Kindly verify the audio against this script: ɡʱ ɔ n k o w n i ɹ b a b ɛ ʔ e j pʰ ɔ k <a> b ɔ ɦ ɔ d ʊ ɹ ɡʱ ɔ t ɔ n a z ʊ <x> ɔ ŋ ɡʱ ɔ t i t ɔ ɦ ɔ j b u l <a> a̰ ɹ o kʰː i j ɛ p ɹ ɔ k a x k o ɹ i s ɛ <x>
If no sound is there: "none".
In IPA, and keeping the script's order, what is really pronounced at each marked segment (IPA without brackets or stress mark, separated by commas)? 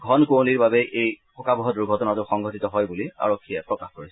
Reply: a, x, i, none